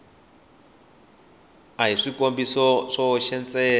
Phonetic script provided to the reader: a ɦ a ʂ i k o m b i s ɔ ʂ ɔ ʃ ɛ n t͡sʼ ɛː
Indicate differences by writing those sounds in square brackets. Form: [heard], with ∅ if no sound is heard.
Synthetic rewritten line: a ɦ [i] ʂ i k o m b i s ɔ ʂ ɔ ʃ ɛ n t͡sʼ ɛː